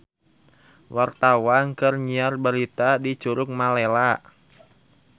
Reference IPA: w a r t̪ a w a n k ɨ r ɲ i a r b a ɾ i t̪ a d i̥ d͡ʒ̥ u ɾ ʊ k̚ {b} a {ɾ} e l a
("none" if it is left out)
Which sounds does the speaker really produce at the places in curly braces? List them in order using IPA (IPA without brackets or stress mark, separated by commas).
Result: m, l